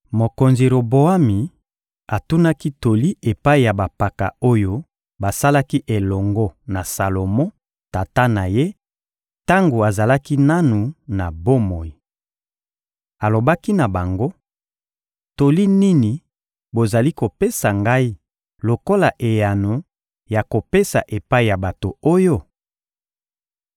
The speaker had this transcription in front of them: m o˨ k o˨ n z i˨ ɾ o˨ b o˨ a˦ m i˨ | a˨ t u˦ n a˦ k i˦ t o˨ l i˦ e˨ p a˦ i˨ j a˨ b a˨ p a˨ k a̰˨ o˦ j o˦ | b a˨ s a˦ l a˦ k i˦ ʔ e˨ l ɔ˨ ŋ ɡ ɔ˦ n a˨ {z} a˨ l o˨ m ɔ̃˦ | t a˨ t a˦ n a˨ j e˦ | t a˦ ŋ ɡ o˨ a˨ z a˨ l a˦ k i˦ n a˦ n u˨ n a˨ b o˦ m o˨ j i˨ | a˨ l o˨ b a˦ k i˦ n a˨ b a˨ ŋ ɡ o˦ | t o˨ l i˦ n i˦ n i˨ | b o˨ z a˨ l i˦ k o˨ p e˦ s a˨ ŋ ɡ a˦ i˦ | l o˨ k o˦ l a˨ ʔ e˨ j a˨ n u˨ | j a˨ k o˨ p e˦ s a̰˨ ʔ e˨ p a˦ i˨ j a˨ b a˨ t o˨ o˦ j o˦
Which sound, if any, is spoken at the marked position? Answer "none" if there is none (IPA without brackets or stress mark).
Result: s